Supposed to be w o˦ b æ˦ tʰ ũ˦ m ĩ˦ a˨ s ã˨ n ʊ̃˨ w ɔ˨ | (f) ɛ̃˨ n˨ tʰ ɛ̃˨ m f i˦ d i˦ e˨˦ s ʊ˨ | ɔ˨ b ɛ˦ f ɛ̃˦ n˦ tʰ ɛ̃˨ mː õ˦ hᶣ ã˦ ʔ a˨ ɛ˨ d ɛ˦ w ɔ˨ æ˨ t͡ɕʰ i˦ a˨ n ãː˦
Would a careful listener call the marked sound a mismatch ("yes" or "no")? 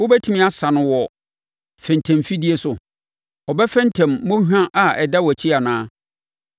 no